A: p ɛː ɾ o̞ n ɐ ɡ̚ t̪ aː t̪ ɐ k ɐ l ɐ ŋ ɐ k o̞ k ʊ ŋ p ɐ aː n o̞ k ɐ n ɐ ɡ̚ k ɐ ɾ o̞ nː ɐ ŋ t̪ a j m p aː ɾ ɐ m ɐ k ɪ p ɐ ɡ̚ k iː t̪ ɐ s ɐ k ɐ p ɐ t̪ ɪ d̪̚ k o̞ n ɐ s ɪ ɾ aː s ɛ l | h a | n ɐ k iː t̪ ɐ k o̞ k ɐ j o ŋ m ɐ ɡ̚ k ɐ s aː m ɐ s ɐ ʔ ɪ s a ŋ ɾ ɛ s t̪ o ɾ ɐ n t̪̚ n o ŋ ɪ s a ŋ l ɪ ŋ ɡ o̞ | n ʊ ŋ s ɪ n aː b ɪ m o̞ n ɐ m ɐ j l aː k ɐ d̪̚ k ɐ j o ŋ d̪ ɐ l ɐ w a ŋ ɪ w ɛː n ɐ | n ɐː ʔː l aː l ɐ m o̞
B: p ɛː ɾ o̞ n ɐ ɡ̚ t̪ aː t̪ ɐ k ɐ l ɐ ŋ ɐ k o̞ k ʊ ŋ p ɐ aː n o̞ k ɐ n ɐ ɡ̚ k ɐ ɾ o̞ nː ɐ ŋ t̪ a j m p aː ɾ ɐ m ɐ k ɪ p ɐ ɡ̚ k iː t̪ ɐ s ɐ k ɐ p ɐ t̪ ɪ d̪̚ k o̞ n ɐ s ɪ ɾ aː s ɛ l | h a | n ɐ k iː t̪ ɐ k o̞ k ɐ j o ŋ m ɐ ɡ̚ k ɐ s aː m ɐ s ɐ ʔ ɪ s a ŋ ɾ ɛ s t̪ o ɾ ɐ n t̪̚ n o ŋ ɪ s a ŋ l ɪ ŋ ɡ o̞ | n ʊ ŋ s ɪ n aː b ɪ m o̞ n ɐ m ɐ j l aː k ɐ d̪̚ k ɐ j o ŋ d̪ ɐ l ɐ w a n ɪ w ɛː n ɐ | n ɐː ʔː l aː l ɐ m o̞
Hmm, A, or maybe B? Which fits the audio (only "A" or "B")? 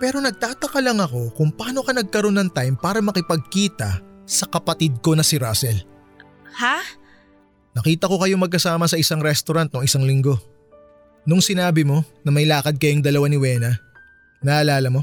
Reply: B